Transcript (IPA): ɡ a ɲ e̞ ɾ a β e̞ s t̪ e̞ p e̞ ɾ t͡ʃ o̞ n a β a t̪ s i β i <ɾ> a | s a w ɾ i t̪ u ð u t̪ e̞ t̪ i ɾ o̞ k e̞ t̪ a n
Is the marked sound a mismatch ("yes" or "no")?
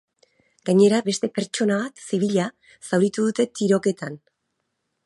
yes